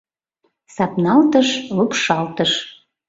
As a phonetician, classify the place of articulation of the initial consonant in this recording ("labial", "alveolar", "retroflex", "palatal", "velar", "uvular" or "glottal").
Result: alveolar